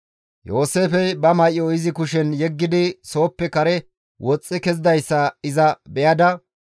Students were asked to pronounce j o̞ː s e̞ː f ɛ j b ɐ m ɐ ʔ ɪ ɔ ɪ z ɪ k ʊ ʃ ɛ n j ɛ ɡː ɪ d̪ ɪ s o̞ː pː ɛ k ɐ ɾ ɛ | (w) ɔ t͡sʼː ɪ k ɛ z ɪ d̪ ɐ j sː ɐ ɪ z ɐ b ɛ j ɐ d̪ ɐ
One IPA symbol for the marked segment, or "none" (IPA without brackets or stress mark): w